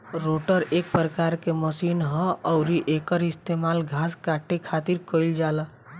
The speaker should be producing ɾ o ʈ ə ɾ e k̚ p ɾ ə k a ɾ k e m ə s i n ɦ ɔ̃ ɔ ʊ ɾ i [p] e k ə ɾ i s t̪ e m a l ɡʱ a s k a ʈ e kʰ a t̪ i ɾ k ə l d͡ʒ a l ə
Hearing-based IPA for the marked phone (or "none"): ʔ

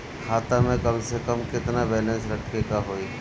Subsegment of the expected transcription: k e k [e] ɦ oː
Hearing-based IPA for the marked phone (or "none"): a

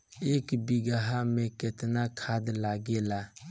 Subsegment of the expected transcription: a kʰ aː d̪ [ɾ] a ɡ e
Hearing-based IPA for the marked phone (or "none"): l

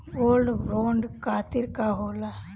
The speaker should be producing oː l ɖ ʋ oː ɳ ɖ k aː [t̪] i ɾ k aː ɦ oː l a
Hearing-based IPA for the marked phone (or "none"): t̪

